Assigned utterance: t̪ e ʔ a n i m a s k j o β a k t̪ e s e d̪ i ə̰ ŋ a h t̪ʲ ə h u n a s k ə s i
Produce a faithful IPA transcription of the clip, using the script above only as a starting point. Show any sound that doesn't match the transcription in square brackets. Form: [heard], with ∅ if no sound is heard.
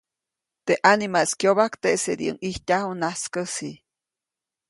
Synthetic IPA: t̪ e ʔ a n i m a s k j o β a k t̪ e s e d̪ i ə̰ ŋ [i] h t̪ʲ [a] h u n a s k ə s i